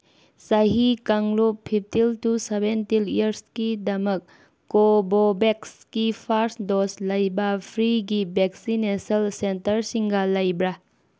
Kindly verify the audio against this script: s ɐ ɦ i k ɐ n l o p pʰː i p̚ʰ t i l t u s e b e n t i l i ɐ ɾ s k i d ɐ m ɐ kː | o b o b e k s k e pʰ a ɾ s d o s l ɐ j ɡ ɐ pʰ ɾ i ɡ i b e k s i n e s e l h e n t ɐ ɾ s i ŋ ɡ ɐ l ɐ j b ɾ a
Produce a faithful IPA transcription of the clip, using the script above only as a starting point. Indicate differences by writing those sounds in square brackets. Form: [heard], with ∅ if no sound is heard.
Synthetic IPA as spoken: s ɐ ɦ i k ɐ [ŋ] l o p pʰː i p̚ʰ t i l t u s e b e n t i l i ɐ ɾ s k i d ɐ m ɐ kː | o b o b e k s k [i] pʰ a ɾ s d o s l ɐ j [b] ɐ pʰ ɾ i ɡ i b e k s i n e s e l [s] e n t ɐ ɾ s i ŋ ɡ ɐ l ɐ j b ɾ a